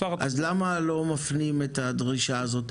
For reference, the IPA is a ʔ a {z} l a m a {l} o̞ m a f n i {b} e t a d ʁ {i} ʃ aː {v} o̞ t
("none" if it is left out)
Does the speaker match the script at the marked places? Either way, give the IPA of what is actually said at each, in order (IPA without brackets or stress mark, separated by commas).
z, l, m, i, z